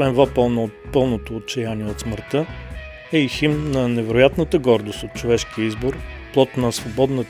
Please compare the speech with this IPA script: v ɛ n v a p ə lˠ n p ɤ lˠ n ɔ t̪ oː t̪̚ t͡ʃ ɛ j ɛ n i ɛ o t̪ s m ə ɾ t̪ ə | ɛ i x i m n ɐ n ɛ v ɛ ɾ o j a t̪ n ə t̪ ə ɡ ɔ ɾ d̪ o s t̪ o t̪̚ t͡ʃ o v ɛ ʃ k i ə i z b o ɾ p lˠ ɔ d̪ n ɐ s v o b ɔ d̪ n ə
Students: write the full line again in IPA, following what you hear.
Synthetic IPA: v ɛ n v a p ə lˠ n p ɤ lˠ n o t̪ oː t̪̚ t͡ʃ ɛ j a n i ɛ o t̪ s m ə ɾ t̪ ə | ɛ i x i m n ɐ n ɛ v ɛ ɾ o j a t̪ n ə t̪ ə ɡ ɔ ɾ d̪ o s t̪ o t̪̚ t͡ʃ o v ɛ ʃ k i ə i z b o ɾ p lˠ ɔ t̪ n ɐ s v o b ɔ d̪ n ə